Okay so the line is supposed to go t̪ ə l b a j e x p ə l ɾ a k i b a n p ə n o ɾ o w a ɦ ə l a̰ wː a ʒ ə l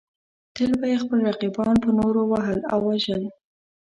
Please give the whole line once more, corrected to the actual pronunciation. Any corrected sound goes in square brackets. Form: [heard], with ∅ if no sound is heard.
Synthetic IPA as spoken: t̪ ə l b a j e x p ə l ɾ a [q] i b [ɑ] n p ə n o ɾ o w a ɦ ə l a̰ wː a ʒ ə l